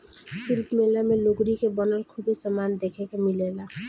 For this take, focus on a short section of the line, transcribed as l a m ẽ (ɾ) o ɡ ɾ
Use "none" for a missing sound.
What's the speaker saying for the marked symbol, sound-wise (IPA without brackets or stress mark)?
l